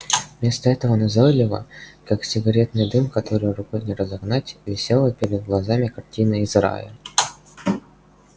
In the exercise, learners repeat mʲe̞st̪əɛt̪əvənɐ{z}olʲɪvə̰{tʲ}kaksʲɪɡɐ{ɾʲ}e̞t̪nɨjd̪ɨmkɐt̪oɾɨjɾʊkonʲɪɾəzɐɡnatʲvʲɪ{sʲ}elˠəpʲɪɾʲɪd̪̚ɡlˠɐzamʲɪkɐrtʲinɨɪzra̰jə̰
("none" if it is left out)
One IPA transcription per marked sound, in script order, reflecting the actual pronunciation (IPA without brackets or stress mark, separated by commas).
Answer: z, none, ɾʲ, sʲ